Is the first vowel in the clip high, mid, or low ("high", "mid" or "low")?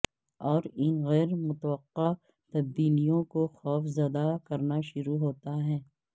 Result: mid